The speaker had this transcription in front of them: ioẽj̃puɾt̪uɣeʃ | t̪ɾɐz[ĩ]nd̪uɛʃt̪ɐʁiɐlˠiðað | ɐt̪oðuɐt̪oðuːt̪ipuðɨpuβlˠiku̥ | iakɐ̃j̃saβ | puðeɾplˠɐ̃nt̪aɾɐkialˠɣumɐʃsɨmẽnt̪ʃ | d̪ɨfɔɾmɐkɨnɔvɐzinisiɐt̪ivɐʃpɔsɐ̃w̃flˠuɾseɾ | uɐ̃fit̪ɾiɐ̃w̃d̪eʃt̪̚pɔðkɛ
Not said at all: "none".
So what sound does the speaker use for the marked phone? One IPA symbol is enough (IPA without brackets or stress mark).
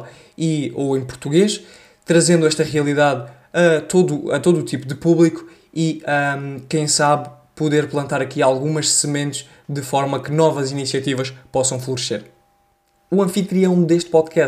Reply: ẽ